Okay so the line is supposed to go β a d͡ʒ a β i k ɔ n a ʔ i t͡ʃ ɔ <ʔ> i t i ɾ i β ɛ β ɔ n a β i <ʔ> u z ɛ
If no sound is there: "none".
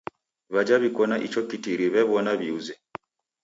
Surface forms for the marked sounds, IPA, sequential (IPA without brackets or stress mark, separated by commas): k, none